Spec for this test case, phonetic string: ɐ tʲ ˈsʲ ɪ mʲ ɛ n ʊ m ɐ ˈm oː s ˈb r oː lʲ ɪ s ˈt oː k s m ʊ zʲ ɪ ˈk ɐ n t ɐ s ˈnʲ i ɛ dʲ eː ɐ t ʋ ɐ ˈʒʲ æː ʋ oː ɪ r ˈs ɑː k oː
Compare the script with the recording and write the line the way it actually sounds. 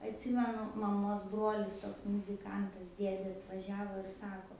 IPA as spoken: ɐ tʲ ˈsʲ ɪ mʲ ɛ n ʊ m ɐ ˈm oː s ˈb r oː lʲ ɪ s ˈt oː k s m ʊ zʲ ɪ ˈk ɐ n t ɐ s ˈdʲ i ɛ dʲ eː ɐ t ʋ ɐ ˈʒʲ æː ʋ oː ɪ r ˈs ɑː k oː